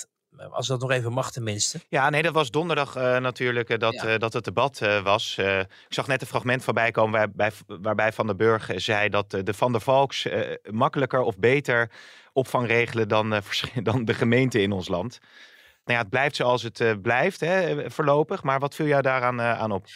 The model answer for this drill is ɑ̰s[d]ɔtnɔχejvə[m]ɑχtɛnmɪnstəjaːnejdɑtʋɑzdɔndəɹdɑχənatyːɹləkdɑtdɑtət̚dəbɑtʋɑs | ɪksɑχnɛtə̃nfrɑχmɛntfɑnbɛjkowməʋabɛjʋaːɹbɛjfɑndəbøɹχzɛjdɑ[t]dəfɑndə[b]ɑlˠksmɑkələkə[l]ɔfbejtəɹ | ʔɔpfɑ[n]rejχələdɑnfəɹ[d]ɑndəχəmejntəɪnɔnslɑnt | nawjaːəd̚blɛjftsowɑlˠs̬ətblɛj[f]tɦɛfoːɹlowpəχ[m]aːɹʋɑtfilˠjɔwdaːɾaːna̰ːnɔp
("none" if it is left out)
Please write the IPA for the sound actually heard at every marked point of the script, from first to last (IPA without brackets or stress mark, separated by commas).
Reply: d, m, t, v, ɹ, ŋ, d, f, m